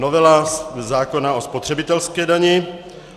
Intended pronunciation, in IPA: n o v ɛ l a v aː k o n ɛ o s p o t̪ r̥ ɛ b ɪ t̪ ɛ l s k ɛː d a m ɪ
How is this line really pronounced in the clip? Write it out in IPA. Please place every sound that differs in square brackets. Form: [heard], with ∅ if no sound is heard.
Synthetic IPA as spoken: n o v ɛ l a [z] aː k o n [a] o s p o t̪ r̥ ɛ b ɪ t̪ ɛ l s k ɛː d a [ɲ] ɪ